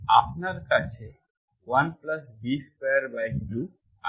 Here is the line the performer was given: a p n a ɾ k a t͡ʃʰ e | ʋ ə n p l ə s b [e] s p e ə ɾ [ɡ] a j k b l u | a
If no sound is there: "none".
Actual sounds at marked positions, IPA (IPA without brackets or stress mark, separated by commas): i, b